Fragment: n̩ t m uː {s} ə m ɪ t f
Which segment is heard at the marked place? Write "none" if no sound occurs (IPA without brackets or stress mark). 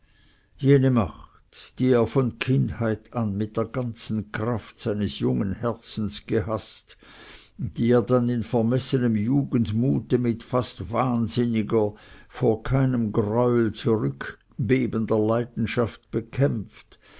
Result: t